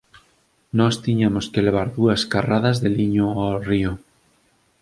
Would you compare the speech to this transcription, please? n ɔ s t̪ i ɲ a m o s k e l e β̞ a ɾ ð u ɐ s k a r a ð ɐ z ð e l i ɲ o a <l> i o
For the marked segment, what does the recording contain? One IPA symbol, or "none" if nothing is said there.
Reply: r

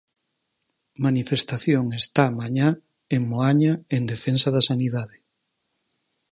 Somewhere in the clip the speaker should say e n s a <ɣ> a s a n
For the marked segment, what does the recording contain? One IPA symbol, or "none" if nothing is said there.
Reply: ð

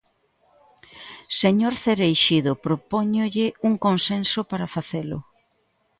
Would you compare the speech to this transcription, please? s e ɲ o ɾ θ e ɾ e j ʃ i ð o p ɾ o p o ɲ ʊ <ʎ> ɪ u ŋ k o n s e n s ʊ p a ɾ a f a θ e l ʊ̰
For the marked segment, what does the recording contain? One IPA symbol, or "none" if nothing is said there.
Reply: ʎ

